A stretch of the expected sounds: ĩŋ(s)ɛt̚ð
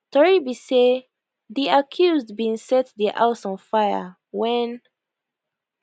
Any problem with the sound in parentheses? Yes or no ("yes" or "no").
no